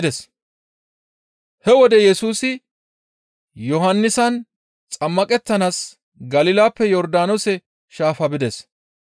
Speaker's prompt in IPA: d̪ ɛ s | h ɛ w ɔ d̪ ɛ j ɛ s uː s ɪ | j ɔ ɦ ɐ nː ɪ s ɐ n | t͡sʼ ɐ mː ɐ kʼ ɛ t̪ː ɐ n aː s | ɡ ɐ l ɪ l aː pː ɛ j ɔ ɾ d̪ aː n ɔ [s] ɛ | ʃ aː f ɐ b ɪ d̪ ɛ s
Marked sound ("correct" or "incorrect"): correct